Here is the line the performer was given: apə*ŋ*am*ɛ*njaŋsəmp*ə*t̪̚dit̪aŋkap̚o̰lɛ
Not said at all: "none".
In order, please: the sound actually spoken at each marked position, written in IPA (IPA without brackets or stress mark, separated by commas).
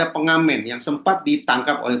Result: ŋ, ɛ, a